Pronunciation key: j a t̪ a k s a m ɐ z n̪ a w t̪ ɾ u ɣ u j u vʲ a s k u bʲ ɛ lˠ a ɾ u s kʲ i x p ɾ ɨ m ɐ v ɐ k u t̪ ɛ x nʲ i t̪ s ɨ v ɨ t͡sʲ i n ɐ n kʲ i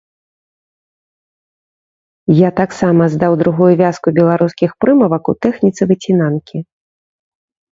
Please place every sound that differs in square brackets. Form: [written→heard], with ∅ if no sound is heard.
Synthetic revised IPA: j a t̪ a k s a m ɐ z [n̪→d̪] a w [t̪→d̪] ɾ u ɣ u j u vʲ a s k u bʲ ɛ lˠ a ɾ u s kʲ i x p ɾ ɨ m ɐ v ɐ k u t̪ ɛ x nʲ i t̪ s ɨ v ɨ t͡sʲ i n [ɐ→a] n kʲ i